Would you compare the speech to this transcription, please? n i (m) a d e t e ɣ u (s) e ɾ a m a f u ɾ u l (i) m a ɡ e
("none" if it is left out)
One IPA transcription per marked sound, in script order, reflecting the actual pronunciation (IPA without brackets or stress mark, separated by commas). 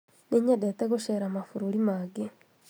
ɲ, ʃ, i